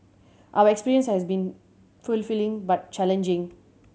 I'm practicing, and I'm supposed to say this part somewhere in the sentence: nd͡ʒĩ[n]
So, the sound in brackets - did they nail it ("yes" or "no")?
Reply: no